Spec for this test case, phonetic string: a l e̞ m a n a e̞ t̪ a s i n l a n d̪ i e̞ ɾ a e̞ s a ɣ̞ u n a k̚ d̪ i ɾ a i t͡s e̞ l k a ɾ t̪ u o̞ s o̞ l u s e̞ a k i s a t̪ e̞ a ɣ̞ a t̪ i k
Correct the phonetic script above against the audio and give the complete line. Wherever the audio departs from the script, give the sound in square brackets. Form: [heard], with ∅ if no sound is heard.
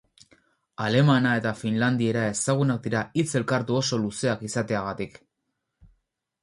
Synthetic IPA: a l e̞ m a n a e̞ t̪ a [f] i n l a n d̪ i e̞ ɾ a e̞ s a ɣ̞ u n a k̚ d̪ i ɾ a i t͡s e̞ l k a ɾ t̪ u o̞ s o̞ l u s e̞ a k i s a t̪ e̞ a ɣ̞ a t̪ i k

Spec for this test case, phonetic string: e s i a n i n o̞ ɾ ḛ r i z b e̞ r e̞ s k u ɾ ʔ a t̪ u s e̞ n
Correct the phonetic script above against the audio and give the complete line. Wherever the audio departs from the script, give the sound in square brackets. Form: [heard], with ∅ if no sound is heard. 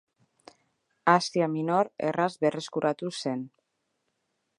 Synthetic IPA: [a] s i a [m] i n o̞ ɾ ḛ r [a] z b e̞ r e̞ s k u ɾ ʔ a t̪ u s e̞ n

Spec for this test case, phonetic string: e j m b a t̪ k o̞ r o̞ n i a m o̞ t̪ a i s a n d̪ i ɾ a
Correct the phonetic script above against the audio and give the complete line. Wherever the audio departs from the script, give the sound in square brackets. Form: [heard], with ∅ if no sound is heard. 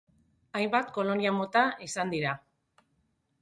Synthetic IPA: [a] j m b a t̪ k o̞ [l] o̞ n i a m o̞ t̪ a i s a n d̪ i ɾ a

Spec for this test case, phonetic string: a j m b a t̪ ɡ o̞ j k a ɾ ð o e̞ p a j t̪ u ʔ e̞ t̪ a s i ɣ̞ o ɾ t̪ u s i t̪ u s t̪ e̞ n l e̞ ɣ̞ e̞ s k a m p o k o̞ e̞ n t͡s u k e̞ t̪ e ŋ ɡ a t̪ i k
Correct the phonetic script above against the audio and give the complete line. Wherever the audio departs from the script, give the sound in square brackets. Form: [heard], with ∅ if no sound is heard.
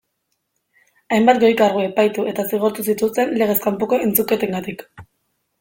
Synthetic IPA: a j m b a t̪ ɡ o̞ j k a ɾ [ɣ] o e̞ p a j t̪ u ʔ e̞ t̪ a s i ɣ̞ o ɾ t̪ u s i t̪ u s t̪ e̞ n l e̞ ɣ̞ e̞ s k a m p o k o̞ e̞ n t͡s u k e̞ t̪ e ŋ ɡ a t̪ i k

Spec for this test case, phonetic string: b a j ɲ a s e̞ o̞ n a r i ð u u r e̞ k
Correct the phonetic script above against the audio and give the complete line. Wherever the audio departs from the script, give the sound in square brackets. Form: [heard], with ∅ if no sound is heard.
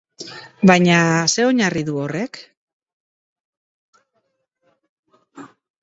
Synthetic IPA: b a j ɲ a s e̞ o̞ [ɲ] a r i ð u [o] r e̞ k

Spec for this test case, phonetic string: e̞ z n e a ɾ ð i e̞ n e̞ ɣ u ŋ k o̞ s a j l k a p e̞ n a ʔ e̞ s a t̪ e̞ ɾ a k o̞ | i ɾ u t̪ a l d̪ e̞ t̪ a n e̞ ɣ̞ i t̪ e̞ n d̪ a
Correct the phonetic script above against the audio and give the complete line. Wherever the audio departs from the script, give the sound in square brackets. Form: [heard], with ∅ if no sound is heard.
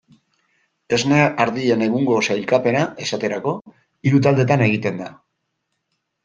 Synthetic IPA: e̞ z n e a ɾ ð i e̞ n e̞ ɣ u ŋ [ɡ] o̞ s a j l k a p e̞ n a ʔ e̞ s a t̪ e̞ ɾ a k o̞ | i ɾ u t̪ a l d̪ e̞ t̪ a n e̞ ɣ̞ i t̪ e̞ n d̪ a

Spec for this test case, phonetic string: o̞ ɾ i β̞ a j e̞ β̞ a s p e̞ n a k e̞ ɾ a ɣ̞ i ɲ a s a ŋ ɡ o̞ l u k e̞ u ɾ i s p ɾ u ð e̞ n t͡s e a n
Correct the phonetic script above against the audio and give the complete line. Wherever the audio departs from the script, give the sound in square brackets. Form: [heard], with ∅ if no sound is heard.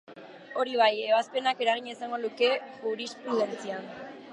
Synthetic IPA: o̞ ɾ i β̞ a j e̞ β̞ a s p e̞ n a k e̞ ɾ a ɣ̞ i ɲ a s a ŋ ɡ o̞ l u k e̞ u ɾ i s p ɾ u ð e̞ n t͡s [i] a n

